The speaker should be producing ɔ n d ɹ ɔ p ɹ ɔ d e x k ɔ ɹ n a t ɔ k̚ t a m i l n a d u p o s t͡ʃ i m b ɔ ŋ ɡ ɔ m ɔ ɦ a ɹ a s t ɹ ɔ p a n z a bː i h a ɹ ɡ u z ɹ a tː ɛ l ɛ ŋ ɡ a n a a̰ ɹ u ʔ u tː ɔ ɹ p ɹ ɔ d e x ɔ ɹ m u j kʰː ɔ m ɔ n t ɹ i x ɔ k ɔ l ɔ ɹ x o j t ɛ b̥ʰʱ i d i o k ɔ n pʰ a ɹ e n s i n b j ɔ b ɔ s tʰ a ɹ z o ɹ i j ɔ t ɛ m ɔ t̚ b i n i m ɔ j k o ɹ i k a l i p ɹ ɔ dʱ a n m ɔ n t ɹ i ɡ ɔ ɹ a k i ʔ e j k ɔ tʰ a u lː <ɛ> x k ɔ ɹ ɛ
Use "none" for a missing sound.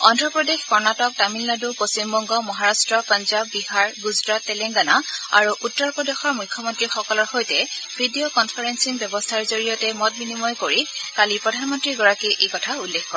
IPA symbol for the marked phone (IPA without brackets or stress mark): e